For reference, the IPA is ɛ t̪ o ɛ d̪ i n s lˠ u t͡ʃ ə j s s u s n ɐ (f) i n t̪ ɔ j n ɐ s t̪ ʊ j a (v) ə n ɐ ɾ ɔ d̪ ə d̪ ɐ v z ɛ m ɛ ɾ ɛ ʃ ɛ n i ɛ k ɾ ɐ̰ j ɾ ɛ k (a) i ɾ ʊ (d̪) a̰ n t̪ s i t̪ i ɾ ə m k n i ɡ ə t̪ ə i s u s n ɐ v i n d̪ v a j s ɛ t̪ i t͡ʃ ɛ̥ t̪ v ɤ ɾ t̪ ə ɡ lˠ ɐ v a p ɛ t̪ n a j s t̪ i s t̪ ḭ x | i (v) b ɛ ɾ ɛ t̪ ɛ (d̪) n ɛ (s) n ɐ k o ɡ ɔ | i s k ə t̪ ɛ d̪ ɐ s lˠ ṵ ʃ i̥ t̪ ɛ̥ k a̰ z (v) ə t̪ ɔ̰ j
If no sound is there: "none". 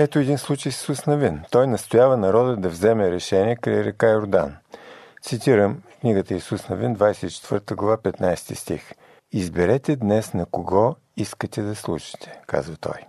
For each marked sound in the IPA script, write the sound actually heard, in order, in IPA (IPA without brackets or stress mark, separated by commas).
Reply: v, v, a, d̪, z, d̪, s, v